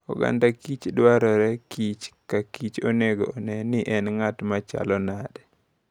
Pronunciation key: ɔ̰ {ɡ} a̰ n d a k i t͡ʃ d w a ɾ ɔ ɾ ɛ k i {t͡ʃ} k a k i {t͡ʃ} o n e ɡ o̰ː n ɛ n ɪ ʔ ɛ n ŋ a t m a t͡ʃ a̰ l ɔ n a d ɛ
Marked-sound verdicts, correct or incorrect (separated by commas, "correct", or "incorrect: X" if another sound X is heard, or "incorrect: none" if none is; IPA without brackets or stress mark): correct, correct, correct